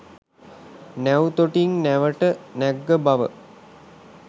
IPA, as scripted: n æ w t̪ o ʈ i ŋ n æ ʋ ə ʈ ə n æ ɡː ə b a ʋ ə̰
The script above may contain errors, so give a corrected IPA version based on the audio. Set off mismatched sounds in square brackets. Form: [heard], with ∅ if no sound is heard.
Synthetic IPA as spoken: n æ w t̪ o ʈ i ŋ n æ ʋ ə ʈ ə n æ ɡː ə b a ʋ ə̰